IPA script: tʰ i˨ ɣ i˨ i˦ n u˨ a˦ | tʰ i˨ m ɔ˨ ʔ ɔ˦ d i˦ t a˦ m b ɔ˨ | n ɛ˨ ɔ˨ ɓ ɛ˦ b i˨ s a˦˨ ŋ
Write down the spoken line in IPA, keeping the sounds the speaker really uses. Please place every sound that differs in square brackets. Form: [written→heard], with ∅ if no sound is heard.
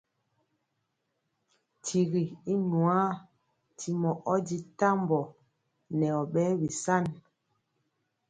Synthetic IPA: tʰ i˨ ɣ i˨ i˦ n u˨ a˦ | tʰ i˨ m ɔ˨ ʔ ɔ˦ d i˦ t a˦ m b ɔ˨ | n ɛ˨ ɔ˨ ɓ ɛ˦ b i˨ s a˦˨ [ŋ→n]